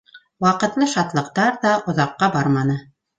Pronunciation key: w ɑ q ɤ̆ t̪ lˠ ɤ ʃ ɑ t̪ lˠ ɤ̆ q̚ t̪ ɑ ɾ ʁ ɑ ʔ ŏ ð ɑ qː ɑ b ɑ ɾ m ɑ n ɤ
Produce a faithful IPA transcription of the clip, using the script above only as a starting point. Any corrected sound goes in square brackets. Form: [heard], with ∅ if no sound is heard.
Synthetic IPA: w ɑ q ɤ̆ t̪ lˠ ɤ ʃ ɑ t̪ lˠ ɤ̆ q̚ t̪ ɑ ɾ [ð] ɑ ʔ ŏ ð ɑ qː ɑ b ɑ ɾ m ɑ n ɤ